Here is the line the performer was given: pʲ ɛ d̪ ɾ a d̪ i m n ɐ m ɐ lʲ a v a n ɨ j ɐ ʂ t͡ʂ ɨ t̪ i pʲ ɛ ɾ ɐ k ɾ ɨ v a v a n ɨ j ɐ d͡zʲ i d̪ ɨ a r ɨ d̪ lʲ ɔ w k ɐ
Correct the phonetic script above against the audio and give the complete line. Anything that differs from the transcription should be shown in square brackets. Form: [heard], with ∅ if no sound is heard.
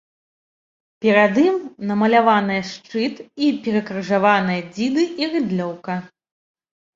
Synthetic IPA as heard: pʲ ɛ [∅] ɾ a d̪ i m n ɐ m ɐ lʲ a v a n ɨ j ɐ ʂ t͡ʂ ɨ t̪ i pʲ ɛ ɾ ɐ k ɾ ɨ [ʐ] a v a n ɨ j ɐ d͡zʲ i d̪ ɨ [i] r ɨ d̪ lʲ ɔ w k ɐ